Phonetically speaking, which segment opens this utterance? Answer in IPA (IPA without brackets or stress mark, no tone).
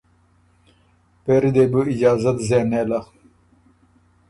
p